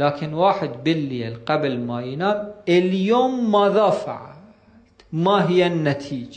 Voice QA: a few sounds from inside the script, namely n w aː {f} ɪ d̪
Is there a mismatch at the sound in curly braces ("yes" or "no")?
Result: yes